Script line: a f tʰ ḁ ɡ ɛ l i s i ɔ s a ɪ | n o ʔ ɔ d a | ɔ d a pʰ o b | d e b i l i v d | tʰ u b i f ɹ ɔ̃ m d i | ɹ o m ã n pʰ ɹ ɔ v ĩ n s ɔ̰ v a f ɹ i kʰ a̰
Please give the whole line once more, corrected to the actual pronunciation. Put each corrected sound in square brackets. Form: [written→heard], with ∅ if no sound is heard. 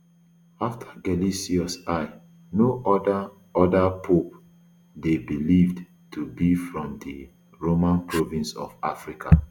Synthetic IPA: a f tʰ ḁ ɡ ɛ l i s i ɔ s a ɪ | n o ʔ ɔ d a | ɔ d a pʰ o [b→p] | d e b i l i v d | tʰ u b i f ɹ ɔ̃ m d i | ɹ o m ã n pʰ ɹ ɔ v ĩ n s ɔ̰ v a f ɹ i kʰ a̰

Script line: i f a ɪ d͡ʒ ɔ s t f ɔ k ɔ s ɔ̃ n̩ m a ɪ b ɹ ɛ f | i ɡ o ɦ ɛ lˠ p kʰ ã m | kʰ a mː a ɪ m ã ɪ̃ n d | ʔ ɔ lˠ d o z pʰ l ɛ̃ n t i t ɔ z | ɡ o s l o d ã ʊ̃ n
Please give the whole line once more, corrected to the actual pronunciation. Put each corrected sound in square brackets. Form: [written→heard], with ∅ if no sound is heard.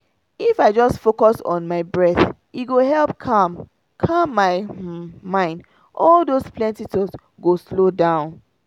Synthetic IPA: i f a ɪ d͡ʒ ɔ s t f [ɔ→o] k ɔ s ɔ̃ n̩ m a ɪ b ɹ ɛ [f→θ] | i ɡ o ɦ ɛ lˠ p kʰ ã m | kʰ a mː a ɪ m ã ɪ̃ n d | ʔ ɔ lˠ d o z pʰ l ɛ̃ n t i t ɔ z | ɡ o s l o d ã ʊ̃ n

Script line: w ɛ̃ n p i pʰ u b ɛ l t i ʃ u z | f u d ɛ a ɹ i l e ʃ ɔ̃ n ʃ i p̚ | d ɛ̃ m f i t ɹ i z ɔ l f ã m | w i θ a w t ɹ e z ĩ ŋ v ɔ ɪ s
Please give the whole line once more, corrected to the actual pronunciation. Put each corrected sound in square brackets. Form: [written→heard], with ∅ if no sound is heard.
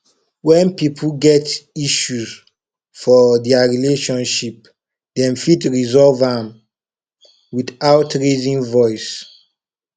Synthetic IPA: w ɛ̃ n p i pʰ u [b→ɡ] ɛ [l→∅] t i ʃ u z | f [u→ɔ] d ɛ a ɹ i l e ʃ ɔ̃ n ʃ i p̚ | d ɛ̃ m f i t ɹ i z ɔ l [f→v] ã m | w i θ a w t ɹ e z ĩ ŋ v ɔ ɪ s

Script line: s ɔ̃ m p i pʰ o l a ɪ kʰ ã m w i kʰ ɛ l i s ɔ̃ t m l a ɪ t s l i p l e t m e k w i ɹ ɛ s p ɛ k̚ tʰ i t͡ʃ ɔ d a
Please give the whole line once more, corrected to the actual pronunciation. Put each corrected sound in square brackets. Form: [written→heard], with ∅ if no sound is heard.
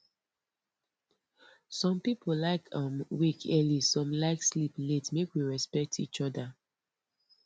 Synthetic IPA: s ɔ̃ m p i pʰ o l a ɪ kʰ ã m w i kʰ ɛ l i s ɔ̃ [t→∅] m l a ɪ [t→k] s l i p l e t m e k w i ɹ ɛ s p ɛ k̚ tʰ i t͡ʃ ɔ d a

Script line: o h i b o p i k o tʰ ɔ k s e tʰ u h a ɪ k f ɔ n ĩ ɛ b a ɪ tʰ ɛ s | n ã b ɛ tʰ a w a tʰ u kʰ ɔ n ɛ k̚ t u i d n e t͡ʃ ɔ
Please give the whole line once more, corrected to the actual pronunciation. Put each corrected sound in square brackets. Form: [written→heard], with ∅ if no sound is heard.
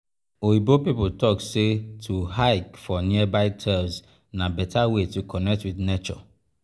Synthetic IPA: o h i b o p i [k→p] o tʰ ɔ k s e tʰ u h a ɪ k f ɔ n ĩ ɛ b a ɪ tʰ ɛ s | n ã b ɛ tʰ a w [a→e] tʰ u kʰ ɔ n ɛ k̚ t [u→w] i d n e t͡ʃ ɔ

